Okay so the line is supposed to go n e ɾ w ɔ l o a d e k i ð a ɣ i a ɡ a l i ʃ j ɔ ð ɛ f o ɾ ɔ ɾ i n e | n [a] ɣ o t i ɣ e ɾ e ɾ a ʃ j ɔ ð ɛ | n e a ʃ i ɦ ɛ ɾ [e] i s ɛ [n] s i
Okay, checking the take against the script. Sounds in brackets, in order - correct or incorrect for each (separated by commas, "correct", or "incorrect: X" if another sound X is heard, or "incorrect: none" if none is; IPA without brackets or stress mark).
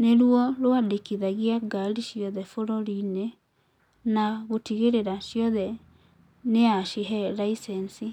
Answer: correct, incorrect: a, correct